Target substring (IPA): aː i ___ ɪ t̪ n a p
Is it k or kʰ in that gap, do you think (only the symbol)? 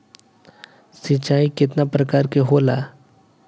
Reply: k